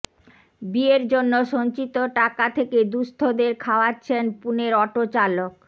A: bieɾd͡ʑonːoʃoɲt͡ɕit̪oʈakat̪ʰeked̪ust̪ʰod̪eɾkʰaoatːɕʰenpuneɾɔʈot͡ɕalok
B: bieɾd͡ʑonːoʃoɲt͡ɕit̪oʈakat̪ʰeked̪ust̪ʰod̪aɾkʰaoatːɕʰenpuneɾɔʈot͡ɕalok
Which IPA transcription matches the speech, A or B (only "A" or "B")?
A